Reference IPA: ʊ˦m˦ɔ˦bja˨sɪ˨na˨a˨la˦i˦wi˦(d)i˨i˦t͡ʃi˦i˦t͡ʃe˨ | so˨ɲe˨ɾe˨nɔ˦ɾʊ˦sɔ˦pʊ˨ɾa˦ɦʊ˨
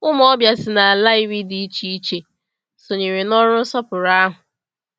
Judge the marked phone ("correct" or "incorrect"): correct